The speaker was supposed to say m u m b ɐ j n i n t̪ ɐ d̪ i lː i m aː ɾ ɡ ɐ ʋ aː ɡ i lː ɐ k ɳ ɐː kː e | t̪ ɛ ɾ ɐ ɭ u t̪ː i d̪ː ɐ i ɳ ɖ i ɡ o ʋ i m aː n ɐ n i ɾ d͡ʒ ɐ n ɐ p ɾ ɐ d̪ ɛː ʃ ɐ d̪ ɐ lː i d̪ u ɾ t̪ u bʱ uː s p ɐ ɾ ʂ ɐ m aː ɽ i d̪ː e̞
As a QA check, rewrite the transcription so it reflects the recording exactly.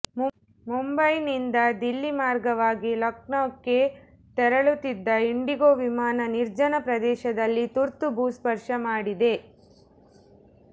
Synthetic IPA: m u m b ɐ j n i n d̪ ɐ d̪ i lː i m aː ɾ ɡ ɐ ʋ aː ɡ i l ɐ k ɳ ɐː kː e | t̪ ɛ ɾ ɐ ɭ u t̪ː i d̪ː ɐ i ɳ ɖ i ɡ o ʋ i m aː n ɐ n i ɾ d͡ʒ ɐ n ɐ p ɾ ɐ d̪ ɛː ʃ ɐ d̪ ɐ lː i t̪ u ɾ t̪ u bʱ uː s p ɐ ɾ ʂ ɐ m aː ɽ i d̪ e̞